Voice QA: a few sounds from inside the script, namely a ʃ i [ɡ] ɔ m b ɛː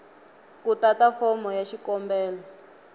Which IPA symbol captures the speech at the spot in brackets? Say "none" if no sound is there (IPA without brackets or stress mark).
k